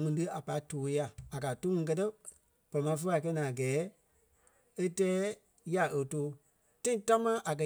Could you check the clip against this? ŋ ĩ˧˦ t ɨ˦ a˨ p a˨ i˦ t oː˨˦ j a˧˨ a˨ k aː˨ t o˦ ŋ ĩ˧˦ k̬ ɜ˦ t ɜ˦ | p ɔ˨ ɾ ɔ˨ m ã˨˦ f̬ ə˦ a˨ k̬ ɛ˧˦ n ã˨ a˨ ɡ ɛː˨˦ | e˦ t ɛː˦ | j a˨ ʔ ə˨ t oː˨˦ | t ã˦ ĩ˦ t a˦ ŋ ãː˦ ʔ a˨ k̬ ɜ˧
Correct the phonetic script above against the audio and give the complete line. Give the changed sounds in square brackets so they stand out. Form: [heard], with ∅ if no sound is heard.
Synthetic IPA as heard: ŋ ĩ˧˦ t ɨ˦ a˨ p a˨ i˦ t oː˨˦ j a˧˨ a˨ k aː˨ t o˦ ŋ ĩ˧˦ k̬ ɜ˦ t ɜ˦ | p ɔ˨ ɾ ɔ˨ m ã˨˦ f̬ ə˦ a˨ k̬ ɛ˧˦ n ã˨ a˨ ɡ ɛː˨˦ | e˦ t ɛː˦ | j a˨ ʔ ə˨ t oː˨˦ | t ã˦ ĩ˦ t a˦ [m] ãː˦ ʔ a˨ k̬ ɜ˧

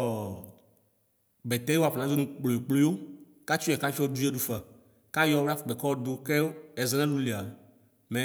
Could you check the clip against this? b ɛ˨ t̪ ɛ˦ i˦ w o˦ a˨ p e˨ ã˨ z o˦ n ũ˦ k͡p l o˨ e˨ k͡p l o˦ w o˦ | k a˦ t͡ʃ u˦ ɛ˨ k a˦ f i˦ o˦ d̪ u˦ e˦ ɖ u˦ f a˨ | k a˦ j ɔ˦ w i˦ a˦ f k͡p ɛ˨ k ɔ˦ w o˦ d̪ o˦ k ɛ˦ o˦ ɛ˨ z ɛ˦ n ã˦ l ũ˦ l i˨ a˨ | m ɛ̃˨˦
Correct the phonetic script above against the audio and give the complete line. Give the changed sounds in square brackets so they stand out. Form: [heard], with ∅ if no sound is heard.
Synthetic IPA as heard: b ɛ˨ t̪ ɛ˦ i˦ w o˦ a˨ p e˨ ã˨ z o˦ n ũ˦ k͡p l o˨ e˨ k͡p l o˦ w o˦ | k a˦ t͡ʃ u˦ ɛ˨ k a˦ f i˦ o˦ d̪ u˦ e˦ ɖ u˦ f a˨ | k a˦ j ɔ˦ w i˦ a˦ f k͡p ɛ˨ k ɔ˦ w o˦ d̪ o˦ k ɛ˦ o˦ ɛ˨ z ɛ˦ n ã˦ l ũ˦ l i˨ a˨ | m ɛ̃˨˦

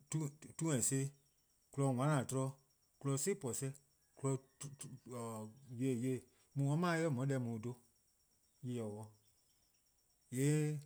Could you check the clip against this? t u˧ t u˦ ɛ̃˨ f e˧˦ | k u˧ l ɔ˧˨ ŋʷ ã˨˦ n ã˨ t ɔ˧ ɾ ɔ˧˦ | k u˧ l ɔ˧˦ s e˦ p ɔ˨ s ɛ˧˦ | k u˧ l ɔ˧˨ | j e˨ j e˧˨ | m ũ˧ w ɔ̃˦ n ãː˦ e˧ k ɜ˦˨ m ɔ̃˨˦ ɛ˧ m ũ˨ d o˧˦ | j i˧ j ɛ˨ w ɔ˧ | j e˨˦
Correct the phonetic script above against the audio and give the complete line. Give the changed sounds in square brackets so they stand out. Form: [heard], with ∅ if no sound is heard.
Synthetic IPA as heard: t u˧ t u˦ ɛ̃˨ [s] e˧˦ | k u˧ l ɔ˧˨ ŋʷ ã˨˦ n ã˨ t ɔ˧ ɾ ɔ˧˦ | k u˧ l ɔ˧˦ s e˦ p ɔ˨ s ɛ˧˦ | k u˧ l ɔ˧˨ | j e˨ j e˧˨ | m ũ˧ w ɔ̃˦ [m] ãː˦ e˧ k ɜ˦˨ m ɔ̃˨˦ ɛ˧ m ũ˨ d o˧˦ | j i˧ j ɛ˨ w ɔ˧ | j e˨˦

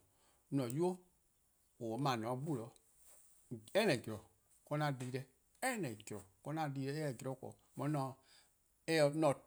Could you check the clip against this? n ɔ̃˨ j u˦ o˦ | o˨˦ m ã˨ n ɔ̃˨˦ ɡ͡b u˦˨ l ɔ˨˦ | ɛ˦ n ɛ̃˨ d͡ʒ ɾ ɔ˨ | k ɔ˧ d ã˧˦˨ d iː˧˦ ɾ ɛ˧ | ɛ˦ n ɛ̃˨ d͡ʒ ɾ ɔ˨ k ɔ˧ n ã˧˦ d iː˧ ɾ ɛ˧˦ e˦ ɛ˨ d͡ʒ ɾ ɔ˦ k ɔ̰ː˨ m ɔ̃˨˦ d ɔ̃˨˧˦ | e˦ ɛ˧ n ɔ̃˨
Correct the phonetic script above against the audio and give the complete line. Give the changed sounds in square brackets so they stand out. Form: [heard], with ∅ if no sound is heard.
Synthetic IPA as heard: n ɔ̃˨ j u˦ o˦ | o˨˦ m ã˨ n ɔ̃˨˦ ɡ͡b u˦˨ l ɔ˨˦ | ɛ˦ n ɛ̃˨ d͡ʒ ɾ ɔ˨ | k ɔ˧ [n] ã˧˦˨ d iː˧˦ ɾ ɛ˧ | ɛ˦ n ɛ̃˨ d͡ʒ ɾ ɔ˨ k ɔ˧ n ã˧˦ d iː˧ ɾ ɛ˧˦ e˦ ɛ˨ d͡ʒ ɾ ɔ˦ k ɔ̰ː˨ m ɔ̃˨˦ [n] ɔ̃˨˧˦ | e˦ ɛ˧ n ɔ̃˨

